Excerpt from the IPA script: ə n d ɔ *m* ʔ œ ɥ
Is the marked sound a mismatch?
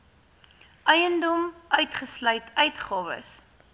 no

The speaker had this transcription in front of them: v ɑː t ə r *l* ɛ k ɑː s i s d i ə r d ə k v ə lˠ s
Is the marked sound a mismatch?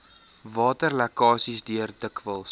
no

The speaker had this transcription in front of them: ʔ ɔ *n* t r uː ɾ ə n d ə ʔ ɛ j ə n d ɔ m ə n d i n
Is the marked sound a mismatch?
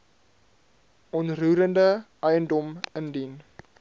no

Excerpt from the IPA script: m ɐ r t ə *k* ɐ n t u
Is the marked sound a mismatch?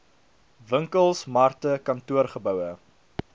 no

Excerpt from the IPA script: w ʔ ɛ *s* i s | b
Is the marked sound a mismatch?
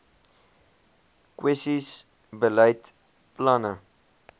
no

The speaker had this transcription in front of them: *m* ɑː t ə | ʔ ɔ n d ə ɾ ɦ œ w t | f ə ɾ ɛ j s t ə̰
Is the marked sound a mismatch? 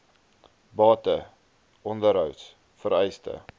yes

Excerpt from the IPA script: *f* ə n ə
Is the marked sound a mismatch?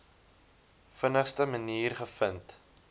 no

